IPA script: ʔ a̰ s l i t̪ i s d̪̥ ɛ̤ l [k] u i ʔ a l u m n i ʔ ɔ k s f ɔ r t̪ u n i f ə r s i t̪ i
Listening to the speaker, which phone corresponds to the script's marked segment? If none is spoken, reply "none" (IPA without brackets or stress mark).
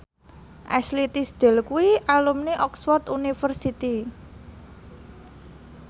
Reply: k